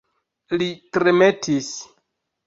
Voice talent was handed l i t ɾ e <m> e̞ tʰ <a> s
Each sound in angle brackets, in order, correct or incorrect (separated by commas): correct, incorrect